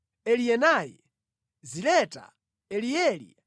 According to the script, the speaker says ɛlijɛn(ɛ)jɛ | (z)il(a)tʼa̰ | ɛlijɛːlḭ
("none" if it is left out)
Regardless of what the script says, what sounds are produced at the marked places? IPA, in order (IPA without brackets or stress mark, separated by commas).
a, z, ɛ